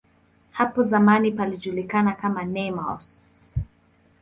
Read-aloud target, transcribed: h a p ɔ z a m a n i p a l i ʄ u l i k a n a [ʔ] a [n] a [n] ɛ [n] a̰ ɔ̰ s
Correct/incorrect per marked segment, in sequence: incorrect: k, incorrect: m, correct, incorrect: m

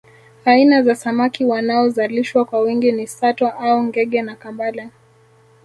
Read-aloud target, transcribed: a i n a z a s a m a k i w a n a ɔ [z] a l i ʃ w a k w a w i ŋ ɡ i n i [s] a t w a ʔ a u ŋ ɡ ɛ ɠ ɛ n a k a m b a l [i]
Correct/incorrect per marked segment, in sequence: correct, correct, incorrect: a

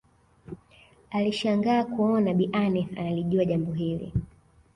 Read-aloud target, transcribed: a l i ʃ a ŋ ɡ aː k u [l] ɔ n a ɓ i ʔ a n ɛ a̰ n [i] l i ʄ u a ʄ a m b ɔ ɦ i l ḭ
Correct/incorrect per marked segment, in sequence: incorrect: none, incorrect: a

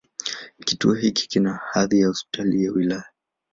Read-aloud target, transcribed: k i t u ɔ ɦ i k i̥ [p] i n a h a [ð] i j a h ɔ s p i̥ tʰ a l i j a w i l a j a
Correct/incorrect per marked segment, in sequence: incorrect: k, correct

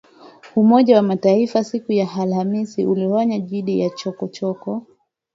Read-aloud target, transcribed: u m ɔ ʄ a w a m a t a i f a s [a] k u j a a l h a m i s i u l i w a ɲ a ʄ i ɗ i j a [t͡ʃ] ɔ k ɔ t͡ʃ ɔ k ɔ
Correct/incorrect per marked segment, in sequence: incorrect: i, correct

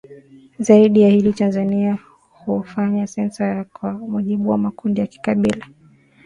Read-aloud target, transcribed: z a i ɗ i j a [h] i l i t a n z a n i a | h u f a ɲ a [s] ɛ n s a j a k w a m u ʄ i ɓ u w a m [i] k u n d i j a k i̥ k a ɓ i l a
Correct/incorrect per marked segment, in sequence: correct, correct, incorrect: a

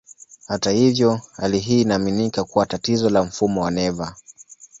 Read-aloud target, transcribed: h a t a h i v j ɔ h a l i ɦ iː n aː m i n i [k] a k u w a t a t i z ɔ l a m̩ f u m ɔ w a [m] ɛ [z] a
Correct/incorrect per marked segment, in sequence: correct, incorrect: n, incorrect: v

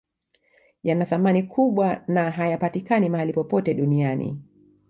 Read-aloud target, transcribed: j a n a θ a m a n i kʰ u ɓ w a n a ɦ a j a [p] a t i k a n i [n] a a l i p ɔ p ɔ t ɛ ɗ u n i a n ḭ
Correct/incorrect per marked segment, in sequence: correct, incorrect: m

